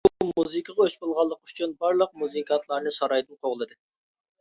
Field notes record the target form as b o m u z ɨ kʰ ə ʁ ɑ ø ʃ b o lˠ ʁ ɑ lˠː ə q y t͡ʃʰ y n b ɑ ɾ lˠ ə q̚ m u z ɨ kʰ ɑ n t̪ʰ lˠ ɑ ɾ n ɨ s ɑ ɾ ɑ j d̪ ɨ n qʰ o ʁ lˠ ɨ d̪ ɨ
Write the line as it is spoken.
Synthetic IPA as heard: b u m u z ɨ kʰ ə ʁ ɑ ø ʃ b o lˠ ʁ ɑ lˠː ə q y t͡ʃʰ y n b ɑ ɾ lˠ ə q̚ m u z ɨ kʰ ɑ n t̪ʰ lˠ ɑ ɾ n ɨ s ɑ ɾ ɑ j d̪ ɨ n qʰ o ʁ lˠ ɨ d̪ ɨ